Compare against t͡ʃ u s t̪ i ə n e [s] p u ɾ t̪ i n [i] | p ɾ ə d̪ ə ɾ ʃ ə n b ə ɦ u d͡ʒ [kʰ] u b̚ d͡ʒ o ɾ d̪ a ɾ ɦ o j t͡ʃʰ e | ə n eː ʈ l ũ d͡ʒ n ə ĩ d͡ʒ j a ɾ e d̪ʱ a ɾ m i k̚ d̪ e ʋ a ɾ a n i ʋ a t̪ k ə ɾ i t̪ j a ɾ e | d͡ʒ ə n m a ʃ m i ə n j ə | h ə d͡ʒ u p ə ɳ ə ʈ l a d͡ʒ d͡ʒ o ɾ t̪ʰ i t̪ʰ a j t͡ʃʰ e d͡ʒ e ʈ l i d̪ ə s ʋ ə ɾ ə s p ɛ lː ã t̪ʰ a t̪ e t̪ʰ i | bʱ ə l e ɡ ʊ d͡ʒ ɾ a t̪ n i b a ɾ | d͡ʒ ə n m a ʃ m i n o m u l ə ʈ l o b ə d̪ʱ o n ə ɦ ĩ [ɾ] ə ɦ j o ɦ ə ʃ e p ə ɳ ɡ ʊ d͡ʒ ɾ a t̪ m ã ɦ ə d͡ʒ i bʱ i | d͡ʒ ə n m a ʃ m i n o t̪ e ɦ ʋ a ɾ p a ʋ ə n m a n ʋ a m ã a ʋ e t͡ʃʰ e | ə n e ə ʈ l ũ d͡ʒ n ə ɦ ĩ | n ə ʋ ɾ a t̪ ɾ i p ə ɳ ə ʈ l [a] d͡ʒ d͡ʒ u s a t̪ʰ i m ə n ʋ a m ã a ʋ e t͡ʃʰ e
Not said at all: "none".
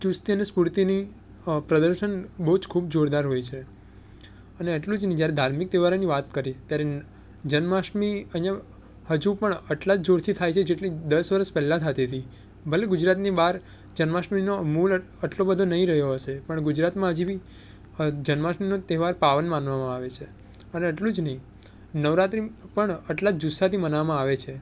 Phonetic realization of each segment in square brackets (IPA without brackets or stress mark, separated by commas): s, i, kʰ, ɾ, a